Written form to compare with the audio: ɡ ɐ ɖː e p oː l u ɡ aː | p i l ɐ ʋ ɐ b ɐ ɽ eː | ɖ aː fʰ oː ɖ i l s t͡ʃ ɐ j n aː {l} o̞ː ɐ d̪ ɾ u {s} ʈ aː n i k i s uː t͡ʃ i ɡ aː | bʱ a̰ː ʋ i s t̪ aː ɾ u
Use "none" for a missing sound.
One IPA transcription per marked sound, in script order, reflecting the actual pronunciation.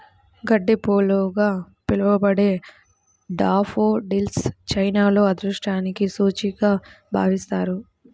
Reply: l, ʂ

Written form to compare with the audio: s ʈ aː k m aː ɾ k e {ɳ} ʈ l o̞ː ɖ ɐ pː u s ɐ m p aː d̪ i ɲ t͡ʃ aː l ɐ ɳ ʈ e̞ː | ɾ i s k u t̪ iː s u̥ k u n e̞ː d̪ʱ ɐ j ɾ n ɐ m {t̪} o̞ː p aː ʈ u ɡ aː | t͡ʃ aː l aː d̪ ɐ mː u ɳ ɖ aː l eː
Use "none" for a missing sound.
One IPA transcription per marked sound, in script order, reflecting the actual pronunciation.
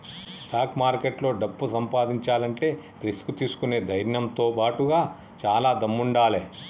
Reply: none, t̪

